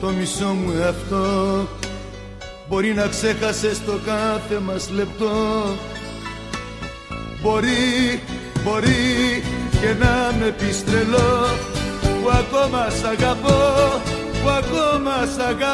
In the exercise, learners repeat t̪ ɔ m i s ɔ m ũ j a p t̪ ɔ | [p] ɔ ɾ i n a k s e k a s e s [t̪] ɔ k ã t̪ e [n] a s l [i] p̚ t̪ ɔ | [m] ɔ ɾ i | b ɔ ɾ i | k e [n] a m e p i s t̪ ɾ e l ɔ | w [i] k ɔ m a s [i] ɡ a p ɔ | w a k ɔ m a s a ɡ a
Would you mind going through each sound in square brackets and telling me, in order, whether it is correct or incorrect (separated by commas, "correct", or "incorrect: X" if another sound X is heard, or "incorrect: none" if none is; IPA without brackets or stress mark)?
incorrect: b, correct, incorrect: m, incorrect: e, incorrect: b, correct, incorrect: a, incorrect: a